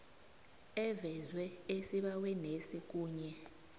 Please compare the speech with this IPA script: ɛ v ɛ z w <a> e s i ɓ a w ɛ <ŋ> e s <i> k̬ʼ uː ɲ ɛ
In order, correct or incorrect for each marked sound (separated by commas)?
incorrect, incorrect, correct